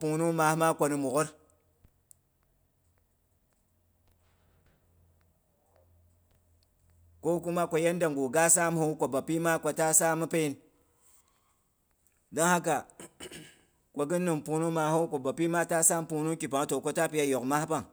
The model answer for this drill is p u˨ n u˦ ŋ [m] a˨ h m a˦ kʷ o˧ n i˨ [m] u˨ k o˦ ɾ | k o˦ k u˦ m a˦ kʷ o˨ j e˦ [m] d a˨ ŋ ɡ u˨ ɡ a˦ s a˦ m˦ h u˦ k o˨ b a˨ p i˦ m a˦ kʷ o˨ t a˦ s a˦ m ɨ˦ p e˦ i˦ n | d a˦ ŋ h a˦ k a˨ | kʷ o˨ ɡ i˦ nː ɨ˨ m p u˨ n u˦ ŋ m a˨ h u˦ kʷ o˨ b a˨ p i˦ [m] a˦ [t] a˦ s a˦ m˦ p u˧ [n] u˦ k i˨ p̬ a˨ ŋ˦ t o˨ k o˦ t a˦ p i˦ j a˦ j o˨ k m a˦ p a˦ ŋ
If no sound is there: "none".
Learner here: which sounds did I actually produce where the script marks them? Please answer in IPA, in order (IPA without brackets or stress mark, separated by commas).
m, m, n, m, t, n